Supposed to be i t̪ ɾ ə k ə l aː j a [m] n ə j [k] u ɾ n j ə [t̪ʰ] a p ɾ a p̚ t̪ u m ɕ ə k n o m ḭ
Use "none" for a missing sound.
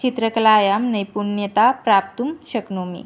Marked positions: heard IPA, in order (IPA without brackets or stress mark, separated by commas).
m, p, t̪